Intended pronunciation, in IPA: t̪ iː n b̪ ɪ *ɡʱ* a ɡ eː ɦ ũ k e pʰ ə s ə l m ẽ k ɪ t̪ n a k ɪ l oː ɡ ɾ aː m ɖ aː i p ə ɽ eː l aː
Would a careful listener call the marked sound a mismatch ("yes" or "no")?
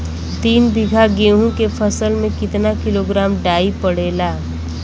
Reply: no